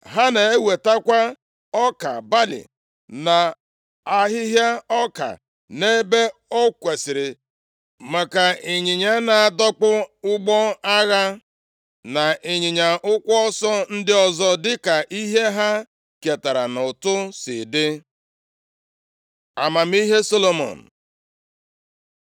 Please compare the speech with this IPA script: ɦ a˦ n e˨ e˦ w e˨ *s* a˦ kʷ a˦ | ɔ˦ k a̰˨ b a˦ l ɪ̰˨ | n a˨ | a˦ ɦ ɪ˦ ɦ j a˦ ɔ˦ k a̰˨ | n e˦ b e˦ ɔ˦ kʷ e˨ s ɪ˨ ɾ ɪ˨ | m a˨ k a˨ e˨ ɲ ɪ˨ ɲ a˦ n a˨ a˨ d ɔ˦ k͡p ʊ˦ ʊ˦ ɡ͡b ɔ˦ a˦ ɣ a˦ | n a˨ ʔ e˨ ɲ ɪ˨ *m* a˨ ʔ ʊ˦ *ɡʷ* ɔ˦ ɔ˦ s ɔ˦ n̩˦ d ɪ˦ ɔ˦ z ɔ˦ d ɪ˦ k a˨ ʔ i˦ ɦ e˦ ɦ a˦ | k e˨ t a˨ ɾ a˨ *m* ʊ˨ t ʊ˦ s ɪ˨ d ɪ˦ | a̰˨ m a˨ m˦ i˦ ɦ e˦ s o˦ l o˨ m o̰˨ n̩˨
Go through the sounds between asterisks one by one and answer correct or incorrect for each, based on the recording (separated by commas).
incorrect, incorrect, incorrect, incorrect